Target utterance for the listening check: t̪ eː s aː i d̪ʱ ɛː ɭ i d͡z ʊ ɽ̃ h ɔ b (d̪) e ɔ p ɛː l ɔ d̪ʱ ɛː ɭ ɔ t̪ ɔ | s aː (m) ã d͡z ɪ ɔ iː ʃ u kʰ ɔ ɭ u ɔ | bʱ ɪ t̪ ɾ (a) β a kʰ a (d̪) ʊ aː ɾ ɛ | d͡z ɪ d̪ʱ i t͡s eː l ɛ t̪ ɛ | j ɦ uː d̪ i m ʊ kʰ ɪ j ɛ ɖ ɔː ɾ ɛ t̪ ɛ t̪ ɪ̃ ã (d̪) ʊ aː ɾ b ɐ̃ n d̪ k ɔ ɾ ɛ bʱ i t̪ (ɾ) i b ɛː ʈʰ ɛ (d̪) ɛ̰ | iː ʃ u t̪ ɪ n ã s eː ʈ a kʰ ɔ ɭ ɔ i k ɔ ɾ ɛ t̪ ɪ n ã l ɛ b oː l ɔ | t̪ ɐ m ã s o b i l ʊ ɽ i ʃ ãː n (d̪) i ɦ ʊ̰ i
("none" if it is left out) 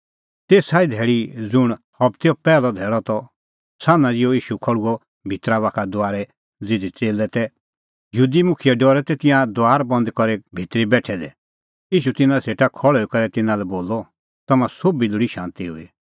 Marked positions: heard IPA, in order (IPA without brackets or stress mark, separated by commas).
t̪, n, a, d̪, d̪, ɾ, d̪, t̪